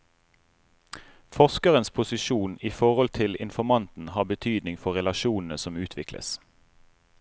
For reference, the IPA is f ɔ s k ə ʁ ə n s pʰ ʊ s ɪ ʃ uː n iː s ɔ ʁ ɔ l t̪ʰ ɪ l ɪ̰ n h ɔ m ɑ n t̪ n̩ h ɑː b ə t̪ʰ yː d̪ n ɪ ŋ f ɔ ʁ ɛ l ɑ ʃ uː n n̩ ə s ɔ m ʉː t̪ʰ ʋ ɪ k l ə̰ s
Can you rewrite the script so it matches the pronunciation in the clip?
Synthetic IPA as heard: f ɔ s k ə ʁ ə n s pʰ ʊ s ɪ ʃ uː n iː f ɔ ʁ ɔ l t̪ʰ ɪ l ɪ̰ n f ɔ m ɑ n t̪ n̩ h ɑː b ə t̪ʰ yː d̪ n ɪ ŋ f ɔ ʁ ɛ l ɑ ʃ uː n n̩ ə s ɔ m ʉː t̪ʰ ʋ ɪ k l ə̰ s